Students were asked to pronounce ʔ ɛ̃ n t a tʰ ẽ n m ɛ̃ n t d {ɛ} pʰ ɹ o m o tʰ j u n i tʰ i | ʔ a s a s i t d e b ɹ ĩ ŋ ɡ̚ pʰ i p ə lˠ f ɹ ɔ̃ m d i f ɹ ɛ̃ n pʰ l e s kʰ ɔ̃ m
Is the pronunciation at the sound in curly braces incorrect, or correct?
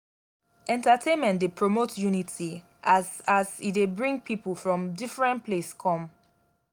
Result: incorrect